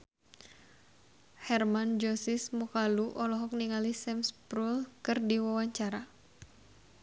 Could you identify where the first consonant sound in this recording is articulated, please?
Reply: glottal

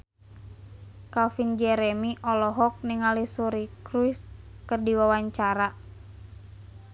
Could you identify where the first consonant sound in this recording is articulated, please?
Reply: velar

